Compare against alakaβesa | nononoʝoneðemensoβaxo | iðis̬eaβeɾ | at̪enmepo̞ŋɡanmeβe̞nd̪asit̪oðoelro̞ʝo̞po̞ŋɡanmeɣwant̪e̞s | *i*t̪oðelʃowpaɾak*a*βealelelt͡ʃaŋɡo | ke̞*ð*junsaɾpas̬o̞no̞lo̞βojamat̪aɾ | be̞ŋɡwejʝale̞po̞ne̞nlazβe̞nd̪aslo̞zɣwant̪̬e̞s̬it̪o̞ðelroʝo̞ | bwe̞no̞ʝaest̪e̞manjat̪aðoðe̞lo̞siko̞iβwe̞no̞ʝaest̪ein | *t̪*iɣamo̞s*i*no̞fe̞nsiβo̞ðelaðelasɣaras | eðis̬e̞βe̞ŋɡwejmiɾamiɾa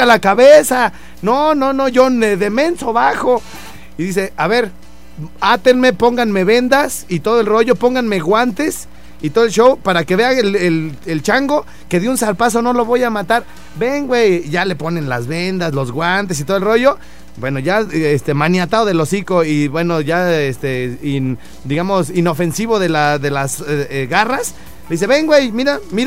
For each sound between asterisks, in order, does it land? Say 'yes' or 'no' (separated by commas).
yes, no, yes, no, yes